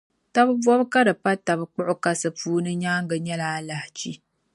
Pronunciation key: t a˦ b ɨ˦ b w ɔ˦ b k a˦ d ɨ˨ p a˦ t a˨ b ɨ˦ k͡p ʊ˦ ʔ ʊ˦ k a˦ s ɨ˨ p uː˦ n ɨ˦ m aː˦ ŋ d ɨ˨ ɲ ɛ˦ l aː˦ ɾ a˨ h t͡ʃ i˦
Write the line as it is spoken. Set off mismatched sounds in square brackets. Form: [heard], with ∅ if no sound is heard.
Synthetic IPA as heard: t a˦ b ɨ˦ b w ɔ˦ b k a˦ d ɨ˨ p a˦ t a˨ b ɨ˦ k͡p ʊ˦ ʔ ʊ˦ k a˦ s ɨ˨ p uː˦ n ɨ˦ [ɲ] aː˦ ŋ [ɡ] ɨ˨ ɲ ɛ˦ l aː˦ [l] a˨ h t͡ʃ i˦